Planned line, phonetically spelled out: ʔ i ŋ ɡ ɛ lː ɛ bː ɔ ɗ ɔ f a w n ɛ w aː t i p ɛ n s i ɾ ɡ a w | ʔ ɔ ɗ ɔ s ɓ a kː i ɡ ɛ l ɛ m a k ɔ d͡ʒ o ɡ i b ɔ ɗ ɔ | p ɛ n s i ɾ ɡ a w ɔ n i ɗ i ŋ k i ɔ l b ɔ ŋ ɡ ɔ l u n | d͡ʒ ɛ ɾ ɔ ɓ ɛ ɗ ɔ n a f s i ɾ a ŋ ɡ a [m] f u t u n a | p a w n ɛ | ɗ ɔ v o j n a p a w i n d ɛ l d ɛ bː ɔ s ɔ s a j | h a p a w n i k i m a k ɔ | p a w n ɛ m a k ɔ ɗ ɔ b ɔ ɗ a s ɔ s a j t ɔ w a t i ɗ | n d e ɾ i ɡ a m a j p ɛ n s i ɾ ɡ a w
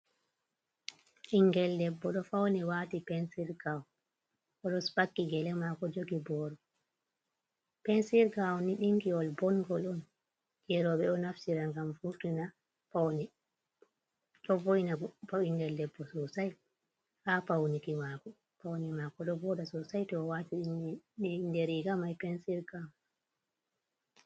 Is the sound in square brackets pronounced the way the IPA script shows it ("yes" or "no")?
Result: yes